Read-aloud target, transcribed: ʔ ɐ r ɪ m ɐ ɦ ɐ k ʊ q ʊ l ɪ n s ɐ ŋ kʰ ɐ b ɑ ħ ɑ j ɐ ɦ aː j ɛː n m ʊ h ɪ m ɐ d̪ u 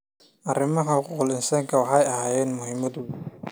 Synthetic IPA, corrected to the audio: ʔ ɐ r ɪ m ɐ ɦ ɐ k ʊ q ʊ l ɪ n s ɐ ŋ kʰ ɐ w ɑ ħ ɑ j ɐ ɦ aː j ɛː n m ʊ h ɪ m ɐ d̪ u